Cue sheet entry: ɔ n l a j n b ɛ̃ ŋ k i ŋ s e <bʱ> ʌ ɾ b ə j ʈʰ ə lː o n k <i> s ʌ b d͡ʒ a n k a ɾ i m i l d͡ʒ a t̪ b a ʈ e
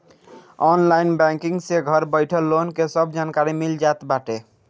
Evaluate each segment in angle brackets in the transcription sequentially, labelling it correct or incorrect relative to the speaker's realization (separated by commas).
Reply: incorrect, incorrect